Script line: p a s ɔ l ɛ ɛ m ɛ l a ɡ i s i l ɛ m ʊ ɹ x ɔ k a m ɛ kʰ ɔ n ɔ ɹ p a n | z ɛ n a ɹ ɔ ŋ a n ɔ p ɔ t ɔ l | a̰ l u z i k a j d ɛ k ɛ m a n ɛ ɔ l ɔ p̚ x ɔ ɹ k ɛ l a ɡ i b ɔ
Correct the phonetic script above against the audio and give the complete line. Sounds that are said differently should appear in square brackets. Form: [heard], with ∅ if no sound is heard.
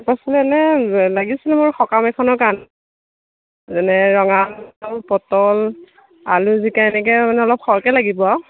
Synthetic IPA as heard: p a s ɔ l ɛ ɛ [n] ɛ l a ɡ i s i l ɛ m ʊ ɹ x ɔ k a m ɛ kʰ ɔ n ɔ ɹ [k] a n | z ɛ n [ɛ] ɹ ɔ ŋ a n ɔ p ɔ t ɔ l | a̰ l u z i k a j [n] ɛ k ɛ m a n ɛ ɔ l ɔ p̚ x ɔ ɹ k ɛ l a ɡ i b ɔ